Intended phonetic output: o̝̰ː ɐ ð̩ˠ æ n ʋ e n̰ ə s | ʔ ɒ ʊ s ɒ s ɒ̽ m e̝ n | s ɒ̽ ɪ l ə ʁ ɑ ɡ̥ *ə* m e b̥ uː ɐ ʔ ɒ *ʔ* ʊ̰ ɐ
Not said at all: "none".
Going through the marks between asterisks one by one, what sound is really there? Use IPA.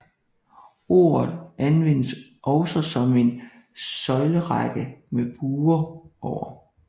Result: ə, none

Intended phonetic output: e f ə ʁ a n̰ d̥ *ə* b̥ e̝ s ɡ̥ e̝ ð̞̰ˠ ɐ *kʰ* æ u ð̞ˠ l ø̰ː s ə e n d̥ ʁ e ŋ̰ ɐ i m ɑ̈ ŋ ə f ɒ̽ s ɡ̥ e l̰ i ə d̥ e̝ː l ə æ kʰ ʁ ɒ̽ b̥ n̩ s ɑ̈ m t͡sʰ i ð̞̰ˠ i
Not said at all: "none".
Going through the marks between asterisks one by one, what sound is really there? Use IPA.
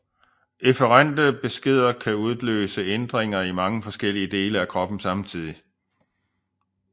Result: ə, kʰ

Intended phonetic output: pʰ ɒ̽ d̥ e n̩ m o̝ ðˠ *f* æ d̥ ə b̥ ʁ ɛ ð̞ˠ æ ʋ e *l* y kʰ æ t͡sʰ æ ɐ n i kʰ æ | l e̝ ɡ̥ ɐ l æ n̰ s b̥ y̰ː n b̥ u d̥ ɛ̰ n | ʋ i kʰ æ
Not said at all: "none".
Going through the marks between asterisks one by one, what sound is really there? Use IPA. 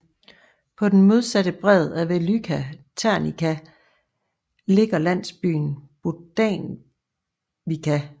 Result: s, l

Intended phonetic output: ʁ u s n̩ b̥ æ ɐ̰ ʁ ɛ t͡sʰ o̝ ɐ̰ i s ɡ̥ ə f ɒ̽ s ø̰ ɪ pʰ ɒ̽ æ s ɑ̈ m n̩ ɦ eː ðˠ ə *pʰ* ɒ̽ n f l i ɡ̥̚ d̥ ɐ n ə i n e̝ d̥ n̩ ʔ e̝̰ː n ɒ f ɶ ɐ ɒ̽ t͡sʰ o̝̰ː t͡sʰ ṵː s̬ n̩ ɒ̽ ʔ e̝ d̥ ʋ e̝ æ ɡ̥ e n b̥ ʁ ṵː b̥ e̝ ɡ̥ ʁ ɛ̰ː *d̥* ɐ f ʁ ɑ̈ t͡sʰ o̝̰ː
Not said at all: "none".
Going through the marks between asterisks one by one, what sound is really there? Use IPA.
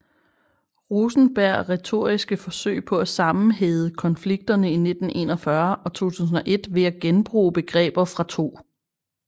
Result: kʰ, b̥

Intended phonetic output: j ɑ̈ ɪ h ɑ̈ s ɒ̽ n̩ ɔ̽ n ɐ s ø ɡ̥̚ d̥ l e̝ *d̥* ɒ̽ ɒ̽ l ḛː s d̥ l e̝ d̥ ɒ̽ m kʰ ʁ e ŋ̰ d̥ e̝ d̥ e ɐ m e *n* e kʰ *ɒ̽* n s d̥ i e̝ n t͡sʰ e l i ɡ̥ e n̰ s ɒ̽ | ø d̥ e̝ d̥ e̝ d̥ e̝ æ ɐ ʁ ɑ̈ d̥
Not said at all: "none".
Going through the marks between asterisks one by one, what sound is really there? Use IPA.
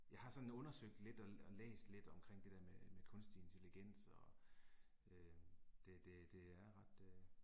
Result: d̥, m, ɔ̽

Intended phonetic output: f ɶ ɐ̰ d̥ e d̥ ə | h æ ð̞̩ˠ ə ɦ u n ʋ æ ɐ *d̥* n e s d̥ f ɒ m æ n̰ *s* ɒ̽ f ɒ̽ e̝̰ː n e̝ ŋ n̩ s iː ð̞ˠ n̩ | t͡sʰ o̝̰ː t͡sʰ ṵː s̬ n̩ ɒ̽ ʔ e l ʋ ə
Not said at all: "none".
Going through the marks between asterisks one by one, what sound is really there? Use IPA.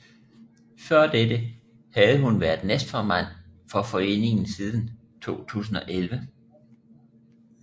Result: d̥, f

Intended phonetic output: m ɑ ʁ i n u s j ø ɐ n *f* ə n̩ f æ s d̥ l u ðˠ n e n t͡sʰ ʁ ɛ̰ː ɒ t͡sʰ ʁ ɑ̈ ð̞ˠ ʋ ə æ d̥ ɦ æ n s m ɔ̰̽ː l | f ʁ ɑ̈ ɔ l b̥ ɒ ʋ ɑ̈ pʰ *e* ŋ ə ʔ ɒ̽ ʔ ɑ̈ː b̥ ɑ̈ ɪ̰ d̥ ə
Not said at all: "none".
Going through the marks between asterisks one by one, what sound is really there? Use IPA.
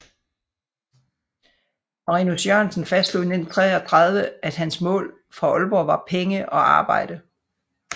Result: s, e

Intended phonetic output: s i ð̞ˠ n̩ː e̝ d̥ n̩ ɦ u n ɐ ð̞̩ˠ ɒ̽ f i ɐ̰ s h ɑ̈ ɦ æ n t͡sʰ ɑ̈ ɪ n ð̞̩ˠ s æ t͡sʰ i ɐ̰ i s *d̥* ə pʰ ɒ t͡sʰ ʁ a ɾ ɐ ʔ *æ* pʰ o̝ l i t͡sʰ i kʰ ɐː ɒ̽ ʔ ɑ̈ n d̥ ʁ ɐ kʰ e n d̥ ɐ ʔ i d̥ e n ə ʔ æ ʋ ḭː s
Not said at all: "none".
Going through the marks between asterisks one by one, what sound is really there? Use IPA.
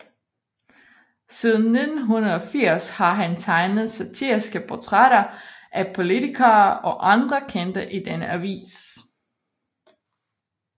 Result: ɡ̥, æ

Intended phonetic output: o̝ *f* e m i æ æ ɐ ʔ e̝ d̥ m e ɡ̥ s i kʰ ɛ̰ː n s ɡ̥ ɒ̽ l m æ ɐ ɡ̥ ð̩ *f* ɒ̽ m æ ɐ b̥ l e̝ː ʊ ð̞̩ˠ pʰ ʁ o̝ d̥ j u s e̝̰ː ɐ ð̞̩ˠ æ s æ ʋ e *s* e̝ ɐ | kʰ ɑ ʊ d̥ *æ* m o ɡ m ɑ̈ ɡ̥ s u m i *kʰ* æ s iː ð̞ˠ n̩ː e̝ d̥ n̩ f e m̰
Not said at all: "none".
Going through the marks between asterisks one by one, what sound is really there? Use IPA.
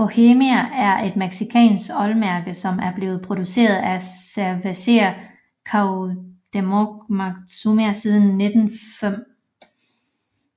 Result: h, s, s, e, none

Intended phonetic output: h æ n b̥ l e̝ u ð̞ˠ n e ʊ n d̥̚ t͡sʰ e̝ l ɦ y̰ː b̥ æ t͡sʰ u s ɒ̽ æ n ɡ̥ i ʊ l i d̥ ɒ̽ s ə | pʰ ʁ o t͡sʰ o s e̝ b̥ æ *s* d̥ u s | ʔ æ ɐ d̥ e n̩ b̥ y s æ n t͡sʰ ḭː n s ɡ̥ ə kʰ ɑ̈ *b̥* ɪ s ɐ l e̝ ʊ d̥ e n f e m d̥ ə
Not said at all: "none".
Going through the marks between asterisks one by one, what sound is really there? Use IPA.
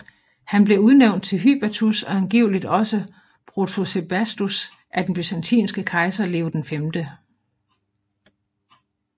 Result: s, none

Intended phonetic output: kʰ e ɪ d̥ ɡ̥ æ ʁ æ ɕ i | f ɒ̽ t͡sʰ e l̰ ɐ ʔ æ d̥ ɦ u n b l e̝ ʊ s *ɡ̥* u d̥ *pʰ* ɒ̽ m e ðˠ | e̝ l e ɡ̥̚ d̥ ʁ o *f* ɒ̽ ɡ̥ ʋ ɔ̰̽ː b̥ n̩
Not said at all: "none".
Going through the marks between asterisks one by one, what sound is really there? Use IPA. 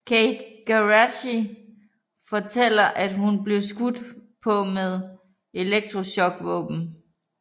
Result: ɡ̥, pʰ, ɕ

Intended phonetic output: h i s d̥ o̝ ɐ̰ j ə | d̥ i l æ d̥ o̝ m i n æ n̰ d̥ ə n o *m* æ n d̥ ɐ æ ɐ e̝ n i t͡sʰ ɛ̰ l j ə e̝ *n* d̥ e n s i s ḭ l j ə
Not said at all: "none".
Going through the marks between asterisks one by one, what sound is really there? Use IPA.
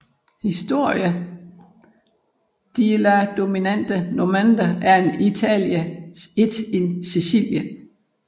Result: m, none

